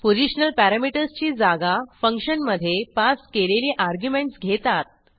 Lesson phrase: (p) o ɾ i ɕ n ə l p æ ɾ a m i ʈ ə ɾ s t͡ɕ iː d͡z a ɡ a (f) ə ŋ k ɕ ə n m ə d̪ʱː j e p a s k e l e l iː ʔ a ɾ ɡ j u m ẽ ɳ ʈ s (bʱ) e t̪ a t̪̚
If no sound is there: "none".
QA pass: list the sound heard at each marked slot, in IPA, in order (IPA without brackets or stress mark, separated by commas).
p, f, ɡʱ